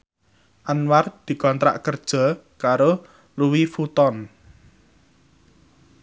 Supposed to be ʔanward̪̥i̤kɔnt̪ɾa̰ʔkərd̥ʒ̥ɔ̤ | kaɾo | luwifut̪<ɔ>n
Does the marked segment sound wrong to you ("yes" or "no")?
no